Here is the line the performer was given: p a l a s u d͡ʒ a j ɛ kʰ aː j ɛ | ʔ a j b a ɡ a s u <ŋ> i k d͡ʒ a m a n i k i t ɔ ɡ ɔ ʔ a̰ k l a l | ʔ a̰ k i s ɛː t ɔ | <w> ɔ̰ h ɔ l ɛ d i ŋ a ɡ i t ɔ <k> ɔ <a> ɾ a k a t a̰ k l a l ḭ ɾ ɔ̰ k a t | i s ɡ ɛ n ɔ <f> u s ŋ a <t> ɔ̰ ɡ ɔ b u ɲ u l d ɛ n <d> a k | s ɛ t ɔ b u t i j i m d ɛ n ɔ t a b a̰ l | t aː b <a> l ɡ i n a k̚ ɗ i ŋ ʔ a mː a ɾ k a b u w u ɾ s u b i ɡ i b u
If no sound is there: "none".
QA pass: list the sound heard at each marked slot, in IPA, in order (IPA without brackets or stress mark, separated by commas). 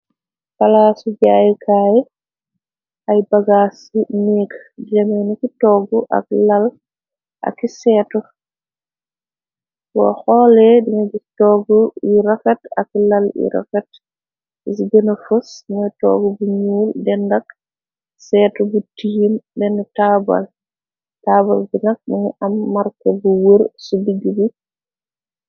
n, w, ɡ, i, f, t, d, a